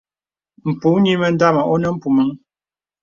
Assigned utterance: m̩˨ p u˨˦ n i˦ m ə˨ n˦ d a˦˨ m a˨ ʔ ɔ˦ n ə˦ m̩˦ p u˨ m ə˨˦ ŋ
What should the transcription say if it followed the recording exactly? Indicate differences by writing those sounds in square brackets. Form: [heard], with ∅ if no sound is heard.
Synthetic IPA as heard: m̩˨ p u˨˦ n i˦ m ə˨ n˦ d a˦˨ m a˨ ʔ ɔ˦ n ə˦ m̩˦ p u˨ m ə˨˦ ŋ